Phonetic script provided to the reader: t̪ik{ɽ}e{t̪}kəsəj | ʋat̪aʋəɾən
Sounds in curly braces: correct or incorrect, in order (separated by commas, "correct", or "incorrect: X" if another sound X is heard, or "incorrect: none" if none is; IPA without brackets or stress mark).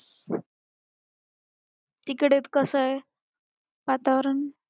correct, correct